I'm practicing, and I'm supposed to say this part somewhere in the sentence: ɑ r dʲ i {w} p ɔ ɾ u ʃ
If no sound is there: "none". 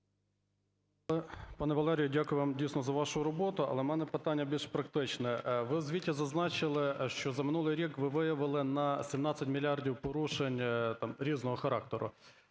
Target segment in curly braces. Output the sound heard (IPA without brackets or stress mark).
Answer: w